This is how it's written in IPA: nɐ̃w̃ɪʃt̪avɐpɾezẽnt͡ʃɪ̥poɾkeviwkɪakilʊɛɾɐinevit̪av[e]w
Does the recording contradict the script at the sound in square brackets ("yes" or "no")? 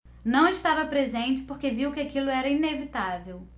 no